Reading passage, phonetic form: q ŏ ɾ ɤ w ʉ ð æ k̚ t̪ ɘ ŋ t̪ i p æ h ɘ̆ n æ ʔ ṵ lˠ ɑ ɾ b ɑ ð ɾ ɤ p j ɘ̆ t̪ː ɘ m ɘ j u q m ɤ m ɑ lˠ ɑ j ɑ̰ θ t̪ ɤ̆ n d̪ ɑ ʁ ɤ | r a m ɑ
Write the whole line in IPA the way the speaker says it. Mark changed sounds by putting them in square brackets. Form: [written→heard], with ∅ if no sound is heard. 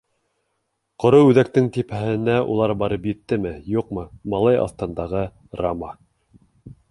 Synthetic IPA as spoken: q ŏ ɾ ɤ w ʉ ð æ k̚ t̪ ɘ ŋ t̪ i p æ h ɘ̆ n æ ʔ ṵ lˠ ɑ ɾ b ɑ [ð→∅] ɾ ɤ p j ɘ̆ t̪ː ɘ m ɘ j u q m ɤ m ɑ lˠ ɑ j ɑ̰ θ t̪ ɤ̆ n d̪ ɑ ʁ ɤ | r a m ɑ